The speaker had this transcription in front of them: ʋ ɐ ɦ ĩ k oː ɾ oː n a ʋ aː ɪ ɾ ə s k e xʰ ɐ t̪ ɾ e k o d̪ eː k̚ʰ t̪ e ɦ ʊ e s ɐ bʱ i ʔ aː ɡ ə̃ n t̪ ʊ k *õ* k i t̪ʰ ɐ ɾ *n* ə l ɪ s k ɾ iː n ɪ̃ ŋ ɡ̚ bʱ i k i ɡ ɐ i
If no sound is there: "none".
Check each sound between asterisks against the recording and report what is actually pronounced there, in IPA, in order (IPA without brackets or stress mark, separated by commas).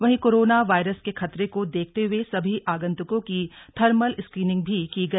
õ, m